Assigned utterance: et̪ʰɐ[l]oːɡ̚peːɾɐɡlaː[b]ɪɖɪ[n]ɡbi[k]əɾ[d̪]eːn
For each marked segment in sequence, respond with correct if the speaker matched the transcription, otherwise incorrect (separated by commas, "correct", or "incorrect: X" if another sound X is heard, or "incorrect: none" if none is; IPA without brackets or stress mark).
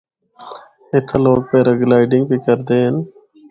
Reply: correct, incorrect: none, incorrect: ŋ, correct, correct